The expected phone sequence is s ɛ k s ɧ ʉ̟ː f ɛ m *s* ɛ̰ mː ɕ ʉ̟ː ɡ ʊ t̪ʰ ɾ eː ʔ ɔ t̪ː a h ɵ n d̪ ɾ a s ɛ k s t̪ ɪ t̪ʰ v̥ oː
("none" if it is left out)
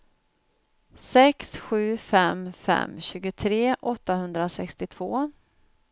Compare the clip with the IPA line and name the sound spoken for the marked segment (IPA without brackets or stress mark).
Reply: f